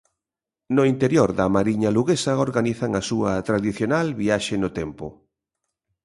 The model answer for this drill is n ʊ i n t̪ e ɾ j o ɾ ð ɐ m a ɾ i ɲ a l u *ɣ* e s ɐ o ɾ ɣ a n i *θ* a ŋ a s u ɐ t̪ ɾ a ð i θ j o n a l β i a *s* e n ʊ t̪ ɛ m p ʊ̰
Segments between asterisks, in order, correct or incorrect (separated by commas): correct, correct, incorrect